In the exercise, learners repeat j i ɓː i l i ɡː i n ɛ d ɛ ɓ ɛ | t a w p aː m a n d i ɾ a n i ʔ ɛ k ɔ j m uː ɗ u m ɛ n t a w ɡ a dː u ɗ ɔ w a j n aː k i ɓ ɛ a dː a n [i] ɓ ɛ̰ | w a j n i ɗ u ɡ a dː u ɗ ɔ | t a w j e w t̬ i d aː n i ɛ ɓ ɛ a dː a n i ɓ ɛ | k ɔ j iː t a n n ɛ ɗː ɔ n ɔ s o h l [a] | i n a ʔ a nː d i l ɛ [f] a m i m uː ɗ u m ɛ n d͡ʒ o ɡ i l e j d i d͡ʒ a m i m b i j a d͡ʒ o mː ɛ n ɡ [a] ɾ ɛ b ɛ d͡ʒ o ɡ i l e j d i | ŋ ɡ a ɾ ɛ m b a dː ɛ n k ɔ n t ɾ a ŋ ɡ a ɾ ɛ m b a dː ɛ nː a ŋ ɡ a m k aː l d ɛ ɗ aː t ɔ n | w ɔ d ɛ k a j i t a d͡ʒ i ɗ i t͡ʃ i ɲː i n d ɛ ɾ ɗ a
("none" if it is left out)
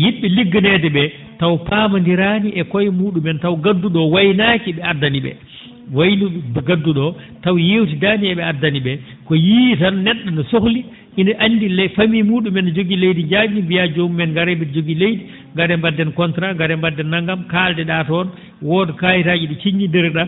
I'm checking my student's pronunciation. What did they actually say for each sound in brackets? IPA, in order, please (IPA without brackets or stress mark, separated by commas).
i, i, f, a